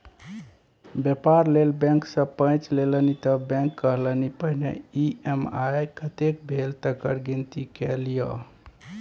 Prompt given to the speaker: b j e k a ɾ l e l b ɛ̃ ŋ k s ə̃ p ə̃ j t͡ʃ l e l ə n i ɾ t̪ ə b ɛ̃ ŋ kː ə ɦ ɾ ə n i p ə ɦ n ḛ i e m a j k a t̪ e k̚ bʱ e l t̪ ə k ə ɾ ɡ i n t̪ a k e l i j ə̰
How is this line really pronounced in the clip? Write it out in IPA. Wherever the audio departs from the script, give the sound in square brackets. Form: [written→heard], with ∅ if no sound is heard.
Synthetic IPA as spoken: b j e [k→p] a ɾ l e l b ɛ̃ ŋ k s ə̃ p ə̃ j t͡ʃ l e l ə n i [ɾ→∅] t̪ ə b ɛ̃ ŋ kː ə ɦ [ɾ→l] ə n i p ə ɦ n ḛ i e m a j k [a→ə] t̪ e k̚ bʱ e l t̪ ə k ə ɾ ɡ i n t̪ [a→i] k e l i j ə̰